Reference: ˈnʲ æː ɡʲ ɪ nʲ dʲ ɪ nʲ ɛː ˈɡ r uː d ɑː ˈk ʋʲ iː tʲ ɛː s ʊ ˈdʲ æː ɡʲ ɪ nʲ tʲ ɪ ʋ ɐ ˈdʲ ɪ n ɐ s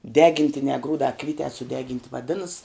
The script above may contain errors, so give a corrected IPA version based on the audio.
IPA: ˈdʲ æː ɡʲ ɪ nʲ tʲ ɪ nʲ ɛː ˈɡ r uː d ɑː ˈk ʋʲ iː tʲ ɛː s ʊ ˈdʲ æː ɡʲ ɪ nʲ tʲ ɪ ʋ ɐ ˈdʲ ɪ n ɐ s

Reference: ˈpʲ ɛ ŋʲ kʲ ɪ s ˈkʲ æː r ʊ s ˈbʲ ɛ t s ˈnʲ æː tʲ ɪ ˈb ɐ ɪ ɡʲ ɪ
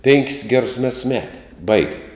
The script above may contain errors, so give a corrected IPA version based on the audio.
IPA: ˈpʲ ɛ ŋʲ kʲ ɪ s ˈɡʲ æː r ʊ s ˈmʲ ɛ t s ˈmʲ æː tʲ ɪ ˈb ɐ ɪ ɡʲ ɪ

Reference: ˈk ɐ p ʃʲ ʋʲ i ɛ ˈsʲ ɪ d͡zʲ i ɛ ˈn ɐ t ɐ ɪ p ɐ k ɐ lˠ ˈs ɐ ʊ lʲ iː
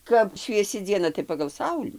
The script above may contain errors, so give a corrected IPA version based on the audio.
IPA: ˈk ɐ p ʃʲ ʋʲ i ɛ ˈsʲ ɪ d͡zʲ i ɛ ˈn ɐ t ɐ ɪ p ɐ ɡ ɐ lˠ ˈs ɐ ʊ lʲ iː

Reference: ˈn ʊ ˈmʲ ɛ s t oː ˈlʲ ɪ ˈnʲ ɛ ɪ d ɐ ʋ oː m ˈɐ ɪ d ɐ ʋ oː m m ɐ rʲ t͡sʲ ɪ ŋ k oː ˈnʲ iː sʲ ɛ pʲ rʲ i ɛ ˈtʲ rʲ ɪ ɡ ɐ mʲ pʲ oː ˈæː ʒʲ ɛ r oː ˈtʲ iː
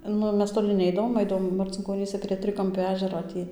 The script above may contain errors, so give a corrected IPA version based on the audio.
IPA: ˈn ʊ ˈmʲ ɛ s t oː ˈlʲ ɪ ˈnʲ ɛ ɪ d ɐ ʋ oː m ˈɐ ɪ d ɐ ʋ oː m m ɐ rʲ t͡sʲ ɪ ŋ k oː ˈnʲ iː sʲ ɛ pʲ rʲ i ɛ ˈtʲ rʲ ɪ k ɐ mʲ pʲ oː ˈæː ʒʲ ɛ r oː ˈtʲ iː

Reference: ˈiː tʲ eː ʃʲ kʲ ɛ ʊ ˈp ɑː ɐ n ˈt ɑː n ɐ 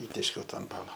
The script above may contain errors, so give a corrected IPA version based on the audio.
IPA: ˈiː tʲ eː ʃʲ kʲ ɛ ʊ ˈt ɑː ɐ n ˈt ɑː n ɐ

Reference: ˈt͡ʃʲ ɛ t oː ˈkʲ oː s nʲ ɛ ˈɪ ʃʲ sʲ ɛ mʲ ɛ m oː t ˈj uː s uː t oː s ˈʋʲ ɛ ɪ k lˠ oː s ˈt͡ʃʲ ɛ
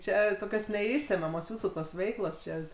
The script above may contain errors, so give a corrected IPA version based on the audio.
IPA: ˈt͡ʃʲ ɛ t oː ˈkʲ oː s nʲ ɛ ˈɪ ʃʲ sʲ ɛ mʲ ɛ m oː s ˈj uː s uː t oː s ˈʋʲ ɛ ɪ k lˠ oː s ˈt͡ʃʲ ɛ

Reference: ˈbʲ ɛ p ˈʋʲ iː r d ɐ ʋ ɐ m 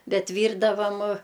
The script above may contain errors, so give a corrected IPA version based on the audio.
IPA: ˈbʲ ɛ t ˈʋʲ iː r d ɐ ʋ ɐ m

